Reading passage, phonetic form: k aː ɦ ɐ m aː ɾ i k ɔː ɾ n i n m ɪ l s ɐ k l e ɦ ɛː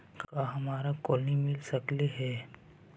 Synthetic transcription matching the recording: k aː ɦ ɐ m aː ɾ a k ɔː l n i m ɪ l s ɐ k l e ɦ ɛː

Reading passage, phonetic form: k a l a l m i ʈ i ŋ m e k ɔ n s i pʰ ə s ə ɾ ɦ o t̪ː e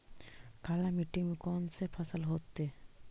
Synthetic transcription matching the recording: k a l a m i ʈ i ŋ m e k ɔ n s e pʰ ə s ə l ɦ o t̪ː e

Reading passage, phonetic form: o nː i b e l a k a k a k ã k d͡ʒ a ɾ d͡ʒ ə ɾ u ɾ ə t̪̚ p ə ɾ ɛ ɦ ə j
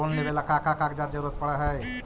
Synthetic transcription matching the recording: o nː e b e l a k a k a k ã k d͡ʒ a ɾ d͡ʒ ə ɾ u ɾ ə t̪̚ p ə ɽ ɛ ɦ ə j

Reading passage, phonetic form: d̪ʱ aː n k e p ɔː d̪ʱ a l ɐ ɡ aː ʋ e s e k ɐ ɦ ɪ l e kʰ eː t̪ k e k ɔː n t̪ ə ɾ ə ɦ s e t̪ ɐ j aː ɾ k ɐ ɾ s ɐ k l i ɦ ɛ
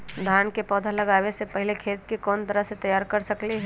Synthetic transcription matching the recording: d̪ʱ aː n k e p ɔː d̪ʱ a l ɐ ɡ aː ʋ e s e p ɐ ɦ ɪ l e kʰ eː t̪ k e k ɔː n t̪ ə ɾ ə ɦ s e t̪ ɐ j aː ɾ k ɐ ɾ s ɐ k l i ɦ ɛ

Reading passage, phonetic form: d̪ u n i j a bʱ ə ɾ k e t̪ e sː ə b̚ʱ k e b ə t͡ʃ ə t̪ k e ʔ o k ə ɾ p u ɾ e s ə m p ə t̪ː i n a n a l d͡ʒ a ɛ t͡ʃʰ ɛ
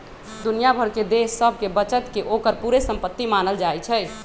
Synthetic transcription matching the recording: d̪ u n i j a bʱ ə ɾ k e d̪ e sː ə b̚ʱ k e b ə t͡ʃ ə t̪ k e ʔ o k ə ɾ p u ɾ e s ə m p ə t̪ː i m a n ə l d͡ʒ a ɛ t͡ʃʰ ɛ

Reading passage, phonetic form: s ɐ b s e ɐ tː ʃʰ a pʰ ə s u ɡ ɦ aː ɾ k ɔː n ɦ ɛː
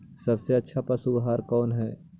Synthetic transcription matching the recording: s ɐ b s e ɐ tː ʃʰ a p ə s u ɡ ɦ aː ɾ k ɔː n ɦ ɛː

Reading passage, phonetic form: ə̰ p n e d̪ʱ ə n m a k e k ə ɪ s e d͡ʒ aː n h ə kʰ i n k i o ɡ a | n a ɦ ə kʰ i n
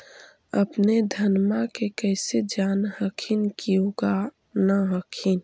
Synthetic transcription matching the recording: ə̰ p n e d̪ʱ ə n m a k e k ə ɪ s e d͡ʒ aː n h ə kʰ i n k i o ɡ a | n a ɦ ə kʰ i n

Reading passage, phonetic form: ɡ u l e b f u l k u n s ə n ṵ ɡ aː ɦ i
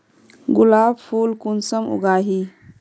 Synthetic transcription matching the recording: ɡ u l a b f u l k u n s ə m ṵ ɡ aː ɦ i

